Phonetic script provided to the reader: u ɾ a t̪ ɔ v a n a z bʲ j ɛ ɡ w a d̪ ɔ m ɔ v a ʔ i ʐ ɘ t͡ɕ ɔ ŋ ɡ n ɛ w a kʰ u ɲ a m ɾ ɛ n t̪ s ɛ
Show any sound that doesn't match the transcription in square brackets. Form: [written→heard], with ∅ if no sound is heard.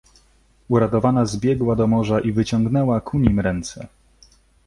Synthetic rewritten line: u ɾ a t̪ ɔ v a n a z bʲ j ɛ ɡ w a d̪ ɔ m ɔ [v→ʐ] a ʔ i [ʐ→v] ɘ t͡ɕ ɔ ŋ ɡ n ɛ w a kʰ u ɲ [a→i] m ɾ ɛ n t̪ s ɛ